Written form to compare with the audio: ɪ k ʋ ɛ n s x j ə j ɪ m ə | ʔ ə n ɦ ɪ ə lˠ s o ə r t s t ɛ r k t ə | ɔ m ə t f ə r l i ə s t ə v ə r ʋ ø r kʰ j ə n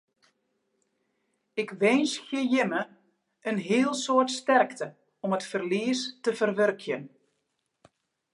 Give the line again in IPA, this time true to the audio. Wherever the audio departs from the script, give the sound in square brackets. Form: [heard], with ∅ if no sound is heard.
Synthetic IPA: ɪ k ʋ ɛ n s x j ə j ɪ m ə | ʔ ə n ɦ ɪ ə lˠ s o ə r t s t ɛ r k t ə | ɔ m ə t f ə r l i ə s t ə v ə r ʋ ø r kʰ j ə n